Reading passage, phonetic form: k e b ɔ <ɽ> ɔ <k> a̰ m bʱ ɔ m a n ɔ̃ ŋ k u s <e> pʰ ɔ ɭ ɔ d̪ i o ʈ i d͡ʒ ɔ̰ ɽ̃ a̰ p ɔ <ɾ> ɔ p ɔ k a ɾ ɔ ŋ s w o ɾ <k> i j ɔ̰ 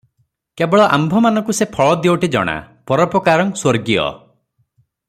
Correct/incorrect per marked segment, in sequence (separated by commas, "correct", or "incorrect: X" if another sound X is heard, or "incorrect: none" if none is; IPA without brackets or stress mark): incorrect: ɭ, incorrect: ʔ, correct, correct, incorrect: ɡ